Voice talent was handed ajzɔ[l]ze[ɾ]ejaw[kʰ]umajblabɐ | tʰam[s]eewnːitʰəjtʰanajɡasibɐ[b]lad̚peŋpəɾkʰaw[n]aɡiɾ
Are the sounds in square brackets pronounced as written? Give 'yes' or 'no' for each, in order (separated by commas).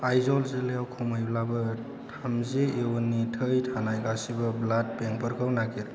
yes, no, yes, no, yes, yes